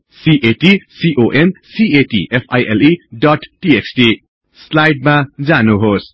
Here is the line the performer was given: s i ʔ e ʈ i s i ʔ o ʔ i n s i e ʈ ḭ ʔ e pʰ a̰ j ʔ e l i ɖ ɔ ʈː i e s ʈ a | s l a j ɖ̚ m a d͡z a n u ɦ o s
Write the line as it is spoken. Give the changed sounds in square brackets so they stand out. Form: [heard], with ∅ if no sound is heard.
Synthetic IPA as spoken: s i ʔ e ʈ i s i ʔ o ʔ [e] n s i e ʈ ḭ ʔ e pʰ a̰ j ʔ e l i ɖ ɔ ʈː i e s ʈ [i] | s l a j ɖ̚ m a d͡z a n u ɦ o s